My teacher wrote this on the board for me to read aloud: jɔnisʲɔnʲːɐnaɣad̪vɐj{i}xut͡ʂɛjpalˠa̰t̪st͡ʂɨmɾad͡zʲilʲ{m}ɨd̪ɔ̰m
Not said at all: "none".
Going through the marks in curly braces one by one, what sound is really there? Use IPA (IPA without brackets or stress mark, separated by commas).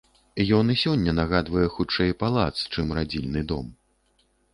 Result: ɛ, n